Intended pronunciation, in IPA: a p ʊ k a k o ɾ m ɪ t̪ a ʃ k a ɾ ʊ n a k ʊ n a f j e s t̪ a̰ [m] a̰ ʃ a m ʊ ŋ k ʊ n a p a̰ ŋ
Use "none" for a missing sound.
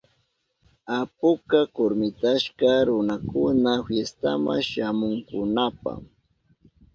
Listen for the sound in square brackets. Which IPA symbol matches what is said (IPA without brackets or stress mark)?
m